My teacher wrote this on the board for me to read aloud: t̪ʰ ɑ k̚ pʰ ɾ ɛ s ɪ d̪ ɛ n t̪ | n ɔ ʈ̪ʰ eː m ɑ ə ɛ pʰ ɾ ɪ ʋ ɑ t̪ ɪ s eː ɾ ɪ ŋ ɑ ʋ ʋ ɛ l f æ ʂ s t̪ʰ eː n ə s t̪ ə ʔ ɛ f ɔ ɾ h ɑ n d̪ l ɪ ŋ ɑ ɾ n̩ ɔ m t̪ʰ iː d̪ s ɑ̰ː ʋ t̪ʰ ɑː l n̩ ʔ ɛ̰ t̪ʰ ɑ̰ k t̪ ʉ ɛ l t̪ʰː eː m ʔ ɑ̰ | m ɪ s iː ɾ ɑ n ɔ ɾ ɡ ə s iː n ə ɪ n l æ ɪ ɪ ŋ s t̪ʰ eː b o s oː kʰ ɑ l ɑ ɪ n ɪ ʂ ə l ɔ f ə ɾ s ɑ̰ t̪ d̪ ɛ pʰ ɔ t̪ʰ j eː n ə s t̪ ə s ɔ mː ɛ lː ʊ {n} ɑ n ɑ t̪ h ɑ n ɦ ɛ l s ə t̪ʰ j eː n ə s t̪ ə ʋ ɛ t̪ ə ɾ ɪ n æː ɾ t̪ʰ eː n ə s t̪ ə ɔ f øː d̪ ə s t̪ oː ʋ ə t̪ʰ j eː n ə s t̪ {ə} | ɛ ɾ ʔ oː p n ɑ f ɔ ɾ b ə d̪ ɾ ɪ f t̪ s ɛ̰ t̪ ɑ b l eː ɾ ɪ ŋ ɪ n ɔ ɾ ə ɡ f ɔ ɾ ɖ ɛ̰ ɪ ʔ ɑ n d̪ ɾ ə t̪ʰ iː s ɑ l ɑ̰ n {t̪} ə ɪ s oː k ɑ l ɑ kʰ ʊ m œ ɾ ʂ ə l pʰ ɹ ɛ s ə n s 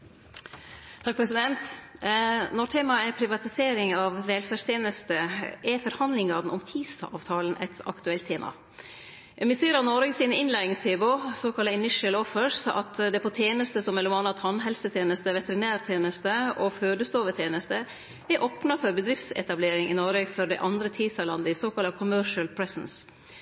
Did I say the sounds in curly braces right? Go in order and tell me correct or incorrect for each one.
incorrect: m, correct, incorrect: d̪

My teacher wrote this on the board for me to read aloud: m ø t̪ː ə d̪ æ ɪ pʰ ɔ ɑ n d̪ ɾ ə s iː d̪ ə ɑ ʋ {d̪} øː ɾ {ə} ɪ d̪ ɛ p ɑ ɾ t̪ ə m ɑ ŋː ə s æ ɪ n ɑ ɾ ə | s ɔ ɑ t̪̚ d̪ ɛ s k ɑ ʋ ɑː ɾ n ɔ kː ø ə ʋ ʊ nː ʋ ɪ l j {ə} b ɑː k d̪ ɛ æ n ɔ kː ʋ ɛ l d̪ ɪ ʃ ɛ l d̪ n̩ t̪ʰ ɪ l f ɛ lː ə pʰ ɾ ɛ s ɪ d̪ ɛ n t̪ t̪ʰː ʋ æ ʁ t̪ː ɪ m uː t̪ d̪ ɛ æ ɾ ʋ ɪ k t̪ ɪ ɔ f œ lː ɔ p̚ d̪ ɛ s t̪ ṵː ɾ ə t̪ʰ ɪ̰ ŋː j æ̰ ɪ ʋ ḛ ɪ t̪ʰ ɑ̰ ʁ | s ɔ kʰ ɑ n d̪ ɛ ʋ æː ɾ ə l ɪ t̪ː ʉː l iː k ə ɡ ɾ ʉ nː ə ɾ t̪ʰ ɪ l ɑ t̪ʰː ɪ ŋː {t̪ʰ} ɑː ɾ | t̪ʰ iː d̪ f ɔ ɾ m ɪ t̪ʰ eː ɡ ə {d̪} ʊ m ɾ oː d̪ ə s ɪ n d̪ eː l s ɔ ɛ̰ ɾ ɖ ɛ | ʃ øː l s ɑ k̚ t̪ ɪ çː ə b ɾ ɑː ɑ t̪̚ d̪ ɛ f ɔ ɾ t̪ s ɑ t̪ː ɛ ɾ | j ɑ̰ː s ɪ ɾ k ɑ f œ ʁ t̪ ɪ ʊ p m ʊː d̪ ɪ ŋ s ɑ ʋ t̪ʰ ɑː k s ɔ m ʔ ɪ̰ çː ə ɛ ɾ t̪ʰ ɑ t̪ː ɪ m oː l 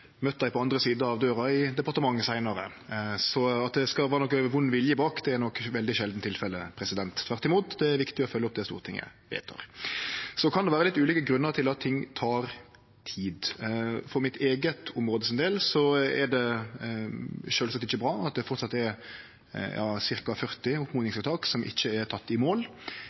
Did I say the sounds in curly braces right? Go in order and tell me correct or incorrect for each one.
correct, incorrect: ɑ, correct, correct, incorrect: t̪

